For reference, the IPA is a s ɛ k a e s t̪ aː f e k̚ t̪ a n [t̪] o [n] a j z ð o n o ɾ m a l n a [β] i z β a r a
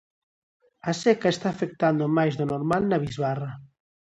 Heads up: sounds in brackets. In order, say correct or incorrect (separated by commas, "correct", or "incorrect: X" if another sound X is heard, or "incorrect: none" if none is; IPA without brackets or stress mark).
incorrect: d̪, incorrect: m, correct